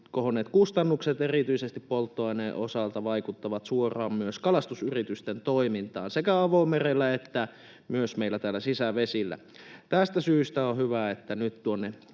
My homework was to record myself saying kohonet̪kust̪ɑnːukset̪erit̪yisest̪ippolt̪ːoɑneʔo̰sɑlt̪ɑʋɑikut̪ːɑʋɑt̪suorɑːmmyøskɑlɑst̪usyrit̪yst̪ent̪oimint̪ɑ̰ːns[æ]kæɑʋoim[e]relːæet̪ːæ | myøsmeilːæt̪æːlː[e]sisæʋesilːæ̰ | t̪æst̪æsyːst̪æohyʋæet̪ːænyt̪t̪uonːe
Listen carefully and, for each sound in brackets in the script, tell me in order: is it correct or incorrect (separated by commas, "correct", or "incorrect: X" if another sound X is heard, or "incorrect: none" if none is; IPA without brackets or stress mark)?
incorrect: e, correct, incorrect: æ